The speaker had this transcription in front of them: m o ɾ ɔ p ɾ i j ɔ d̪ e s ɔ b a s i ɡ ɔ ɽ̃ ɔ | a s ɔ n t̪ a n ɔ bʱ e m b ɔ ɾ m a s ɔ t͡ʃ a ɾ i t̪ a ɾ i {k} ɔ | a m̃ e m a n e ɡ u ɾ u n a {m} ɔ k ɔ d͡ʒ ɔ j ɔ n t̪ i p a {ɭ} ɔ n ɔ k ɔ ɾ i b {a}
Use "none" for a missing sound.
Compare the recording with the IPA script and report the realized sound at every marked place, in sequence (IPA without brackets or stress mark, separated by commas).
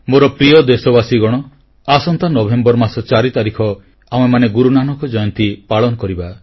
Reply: kʰ, n, ɭ, a